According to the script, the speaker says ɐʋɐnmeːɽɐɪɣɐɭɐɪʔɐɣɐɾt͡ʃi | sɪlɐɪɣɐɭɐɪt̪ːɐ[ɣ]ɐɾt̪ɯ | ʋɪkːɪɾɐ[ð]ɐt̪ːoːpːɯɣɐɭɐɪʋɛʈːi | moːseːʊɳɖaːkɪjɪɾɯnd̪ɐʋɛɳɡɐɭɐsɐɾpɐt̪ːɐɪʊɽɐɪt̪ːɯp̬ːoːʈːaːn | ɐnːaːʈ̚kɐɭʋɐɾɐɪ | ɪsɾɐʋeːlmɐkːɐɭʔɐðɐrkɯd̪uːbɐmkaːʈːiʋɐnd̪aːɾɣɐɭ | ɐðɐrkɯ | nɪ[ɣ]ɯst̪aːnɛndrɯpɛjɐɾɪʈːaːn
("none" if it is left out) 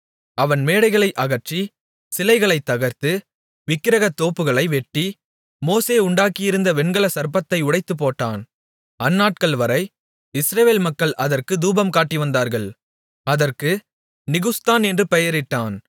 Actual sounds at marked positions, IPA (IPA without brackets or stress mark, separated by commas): ɣ, ɣ, ɣ